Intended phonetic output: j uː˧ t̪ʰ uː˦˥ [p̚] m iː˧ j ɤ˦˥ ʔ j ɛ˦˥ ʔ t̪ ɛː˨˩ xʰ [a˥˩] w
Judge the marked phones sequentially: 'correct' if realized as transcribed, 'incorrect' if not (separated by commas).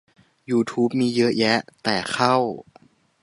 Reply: correct, correct